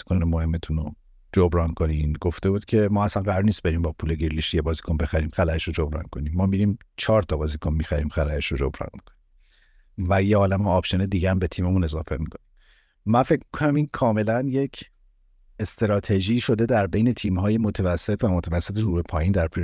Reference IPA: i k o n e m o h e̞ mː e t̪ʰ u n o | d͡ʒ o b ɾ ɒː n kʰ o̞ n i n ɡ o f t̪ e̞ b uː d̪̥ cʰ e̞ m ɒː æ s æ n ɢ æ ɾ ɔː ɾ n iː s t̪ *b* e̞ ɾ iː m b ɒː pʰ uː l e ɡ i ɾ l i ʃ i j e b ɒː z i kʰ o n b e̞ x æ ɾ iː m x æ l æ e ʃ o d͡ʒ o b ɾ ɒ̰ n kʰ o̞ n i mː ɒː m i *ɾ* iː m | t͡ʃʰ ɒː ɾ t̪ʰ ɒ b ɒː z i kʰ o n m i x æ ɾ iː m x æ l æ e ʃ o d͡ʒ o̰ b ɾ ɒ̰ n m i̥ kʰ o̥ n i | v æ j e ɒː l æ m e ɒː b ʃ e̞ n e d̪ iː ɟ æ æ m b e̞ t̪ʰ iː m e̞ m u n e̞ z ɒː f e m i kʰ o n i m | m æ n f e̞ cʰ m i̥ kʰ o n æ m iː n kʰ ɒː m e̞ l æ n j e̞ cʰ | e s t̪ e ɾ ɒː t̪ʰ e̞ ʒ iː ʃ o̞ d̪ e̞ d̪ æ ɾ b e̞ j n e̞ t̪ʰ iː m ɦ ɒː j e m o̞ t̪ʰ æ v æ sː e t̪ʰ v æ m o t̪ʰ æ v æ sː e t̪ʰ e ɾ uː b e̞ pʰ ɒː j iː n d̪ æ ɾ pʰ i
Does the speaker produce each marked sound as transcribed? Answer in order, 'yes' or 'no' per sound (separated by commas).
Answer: yes, yes